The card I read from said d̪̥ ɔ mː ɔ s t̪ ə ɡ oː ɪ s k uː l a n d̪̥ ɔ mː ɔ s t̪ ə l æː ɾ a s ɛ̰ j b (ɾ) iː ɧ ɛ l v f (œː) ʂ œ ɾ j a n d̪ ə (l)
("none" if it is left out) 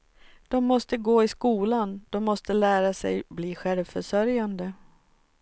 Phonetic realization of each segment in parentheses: l, œ, none

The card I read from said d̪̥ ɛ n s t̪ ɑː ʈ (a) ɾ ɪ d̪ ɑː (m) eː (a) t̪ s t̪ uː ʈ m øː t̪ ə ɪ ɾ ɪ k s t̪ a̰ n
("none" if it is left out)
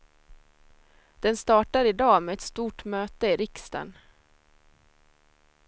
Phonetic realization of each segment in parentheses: a, m, ɛ

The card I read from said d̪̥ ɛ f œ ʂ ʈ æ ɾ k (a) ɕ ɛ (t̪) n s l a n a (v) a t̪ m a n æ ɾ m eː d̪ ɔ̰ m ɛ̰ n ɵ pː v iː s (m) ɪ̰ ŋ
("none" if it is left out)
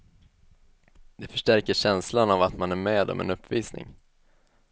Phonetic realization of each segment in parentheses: ə, none, v, n

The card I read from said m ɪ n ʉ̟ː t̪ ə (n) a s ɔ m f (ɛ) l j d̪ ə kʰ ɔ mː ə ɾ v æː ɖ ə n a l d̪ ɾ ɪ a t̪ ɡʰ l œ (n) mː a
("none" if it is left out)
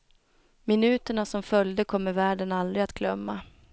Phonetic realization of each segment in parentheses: ɳ, œ, none

